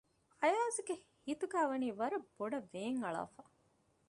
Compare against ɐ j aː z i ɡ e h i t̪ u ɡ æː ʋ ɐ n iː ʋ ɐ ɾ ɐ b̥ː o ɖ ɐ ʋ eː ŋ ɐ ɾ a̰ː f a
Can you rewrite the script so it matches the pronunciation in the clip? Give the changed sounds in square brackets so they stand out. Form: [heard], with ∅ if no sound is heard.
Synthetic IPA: ɐ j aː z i ɡ e h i t̪ u ɡ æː ʋ ɐ n iː ʋ ɐ ɾ ɐ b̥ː o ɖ ɐ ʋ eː ŋ ɐ [ɭ] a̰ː f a